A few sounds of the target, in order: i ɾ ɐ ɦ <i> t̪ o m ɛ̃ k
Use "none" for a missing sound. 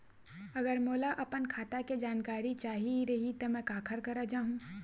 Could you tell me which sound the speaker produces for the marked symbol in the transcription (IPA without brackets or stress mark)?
i